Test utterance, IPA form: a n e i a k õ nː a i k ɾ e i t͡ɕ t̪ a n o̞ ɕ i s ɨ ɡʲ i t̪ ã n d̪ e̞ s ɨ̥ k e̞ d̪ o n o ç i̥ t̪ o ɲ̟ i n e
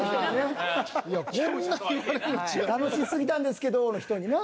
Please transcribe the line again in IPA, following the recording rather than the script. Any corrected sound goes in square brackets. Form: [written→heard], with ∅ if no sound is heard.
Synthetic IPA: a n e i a k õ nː a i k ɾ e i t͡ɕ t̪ a n o̞ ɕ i s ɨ ɡʲ i t̪ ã n d̪ e̞ s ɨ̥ k e̞ d̪ o n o ç i̥ t̪ o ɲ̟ i n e

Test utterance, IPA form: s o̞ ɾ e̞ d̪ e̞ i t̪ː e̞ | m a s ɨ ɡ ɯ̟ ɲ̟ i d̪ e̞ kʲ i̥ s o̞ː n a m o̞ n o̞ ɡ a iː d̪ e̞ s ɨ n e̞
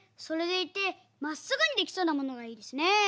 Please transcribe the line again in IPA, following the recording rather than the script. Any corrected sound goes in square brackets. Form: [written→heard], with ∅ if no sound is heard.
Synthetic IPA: s o̞ ɾ e̞ d̪ e̞ i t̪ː e̞ | m a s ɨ ɡ ɯ̟ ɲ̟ i d̪ e̞ kʲ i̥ s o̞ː n a m o̞ n o̞ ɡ a iː d̪ e̞ s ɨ n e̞

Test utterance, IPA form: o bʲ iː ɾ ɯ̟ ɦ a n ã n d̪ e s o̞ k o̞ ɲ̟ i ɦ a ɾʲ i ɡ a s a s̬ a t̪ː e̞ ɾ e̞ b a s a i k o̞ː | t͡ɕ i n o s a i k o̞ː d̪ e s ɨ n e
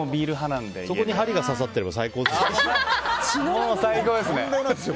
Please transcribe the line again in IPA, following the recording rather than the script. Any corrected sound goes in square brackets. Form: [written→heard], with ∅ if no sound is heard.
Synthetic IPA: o bʲ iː ɾ ɯ̟ ɦ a n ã n d̪ e s o̞ k o̞ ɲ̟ i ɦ a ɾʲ i ɡ a s a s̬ a t̪ː e̞ ɾ e̞ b a s a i k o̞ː | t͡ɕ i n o s a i k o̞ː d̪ e s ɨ n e

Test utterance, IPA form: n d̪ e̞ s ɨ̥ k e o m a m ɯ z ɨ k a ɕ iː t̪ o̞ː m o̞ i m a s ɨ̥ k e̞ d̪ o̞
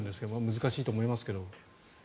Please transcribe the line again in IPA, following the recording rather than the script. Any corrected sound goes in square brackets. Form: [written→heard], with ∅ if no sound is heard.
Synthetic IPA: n d̪ e̞ s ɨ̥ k e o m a m ɯ z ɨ k a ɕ iː t̪ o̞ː m o̞ i m a s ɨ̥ k e̞ d̪ o̞

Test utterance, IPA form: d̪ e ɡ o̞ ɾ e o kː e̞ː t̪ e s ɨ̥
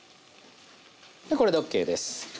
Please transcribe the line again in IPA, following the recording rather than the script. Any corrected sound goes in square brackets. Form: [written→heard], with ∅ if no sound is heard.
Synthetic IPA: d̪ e [ɡ→k] o̞ ɾ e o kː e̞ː [t̪→d̪] e s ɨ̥

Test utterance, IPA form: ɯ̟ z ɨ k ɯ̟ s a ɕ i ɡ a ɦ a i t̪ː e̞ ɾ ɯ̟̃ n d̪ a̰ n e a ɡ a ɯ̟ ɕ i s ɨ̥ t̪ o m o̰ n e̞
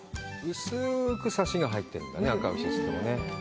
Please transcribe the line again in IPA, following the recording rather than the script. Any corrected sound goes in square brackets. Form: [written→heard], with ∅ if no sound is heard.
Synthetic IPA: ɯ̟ [z→s] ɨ k ɯ̟ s a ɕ i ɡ a ɦ a i t̪ː e̞ ɾ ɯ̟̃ n d̪ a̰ n e a [ɡ→k] a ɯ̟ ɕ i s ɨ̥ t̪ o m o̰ n e̞

